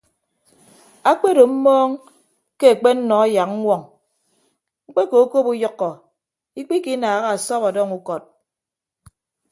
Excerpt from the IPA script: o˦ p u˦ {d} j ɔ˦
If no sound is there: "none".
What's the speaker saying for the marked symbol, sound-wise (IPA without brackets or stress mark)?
none